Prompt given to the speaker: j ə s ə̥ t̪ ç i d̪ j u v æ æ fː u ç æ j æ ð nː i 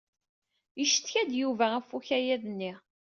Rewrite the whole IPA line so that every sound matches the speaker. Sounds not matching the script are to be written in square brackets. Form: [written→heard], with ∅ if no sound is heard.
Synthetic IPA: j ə [s→ʃ] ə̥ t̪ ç [i→æ] d̪ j u v æ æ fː u ç æ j æ ð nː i